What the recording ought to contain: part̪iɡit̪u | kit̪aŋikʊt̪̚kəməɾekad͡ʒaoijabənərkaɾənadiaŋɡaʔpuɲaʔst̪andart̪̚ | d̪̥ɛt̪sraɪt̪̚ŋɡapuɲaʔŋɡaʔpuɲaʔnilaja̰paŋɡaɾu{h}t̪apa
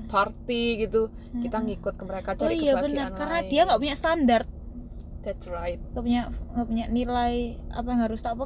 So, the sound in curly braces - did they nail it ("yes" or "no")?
no